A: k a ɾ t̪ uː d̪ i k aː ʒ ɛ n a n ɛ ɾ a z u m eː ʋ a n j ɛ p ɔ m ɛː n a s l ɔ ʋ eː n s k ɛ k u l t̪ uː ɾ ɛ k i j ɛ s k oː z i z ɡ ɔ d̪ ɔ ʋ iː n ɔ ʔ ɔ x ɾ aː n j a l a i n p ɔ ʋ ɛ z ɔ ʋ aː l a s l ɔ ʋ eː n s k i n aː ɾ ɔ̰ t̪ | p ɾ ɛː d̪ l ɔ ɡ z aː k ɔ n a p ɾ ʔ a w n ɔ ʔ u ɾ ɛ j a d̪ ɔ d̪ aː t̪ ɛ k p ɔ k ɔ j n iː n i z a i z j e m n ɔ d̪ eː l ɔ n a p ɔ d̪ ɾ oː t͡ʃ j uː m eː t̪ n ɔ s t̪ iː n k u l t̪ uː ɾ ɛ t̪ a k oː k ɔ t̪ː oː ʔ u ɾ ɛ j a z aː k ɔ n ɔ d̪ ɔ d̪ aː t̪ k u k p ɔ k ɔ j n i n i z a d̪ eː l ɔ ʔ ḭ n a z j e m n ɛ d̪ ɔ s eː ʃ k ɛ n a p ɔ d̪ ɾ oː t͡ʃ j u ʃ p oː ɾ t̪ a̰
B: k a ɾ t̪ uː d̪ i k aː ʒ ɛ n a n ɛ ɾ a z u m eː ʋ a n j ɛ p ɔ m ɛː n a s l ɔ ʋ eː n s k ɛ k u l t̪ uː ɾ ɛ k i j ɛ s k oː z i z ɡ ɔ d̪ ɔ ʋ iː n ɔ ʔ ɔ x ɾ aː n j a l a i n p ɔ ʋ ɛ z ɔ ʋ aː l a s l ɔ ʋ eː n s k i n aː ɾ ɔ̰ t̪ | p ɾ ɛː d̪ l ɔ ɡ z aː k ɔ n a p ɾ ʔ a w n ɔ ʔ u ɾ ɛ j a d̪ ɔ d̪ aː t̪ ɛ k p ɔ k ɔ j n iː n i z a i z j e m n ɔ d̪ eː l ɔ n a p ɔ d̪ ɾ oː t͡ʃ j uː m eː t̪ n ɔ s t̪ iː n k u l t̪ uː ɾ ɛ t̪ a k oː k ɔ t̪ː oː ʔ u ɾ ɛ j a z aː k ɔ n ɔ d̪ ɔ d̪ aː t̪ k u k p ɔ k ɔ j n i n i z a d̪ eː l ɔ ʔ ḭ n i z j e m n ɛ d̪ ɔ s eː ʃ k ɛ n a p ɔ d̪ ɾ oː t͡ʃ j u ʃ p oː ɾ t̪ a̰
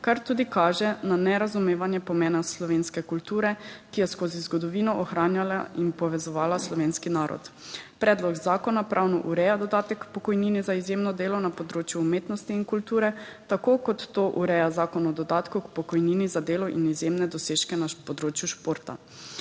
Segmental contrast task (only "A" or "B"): B